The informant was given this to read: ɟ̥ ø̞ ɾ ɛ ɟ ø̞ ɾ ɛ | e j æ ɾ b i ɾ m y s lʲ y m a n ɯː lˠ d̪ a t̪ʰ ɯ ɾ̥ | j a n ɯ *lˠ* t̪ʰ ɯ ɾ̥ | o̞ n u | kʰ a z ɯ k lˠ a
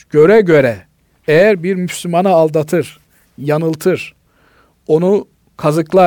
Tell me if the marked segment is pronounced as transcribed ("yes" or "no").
yes